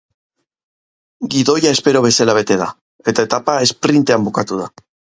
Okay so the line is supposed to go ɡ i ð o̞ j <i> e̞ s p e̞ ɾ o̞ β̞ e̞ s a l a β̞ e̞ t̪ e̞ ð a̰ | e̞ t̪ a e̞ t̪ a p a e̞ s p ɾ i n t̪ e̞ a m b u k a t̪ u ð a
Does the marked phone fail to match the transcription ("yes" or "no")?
yes